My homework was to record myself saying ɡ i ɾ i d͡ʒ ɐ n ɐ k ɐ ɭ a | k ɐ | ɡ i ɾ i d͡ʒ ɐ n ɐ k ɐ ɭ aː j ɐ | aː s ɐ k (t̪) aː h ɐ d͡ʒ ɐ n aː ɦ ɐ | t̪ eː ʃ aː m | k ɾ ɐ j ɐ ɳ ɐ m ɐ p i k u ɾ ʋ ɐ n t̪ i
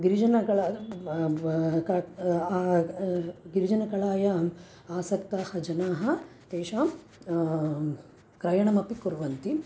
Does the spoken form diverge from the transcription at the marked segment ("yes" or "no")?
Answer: no